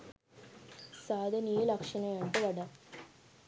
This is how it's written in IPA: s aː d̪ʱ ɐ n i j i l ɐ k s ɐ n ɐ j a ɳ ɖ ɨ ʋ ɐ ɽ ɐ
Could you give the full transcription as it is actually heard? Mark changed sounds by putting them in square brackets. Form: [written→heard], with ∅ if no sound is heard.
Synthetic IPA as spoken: s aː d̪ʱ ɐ n i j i l ɐ k [s→ʂ] ɐ n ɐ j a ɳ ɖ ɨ ʋ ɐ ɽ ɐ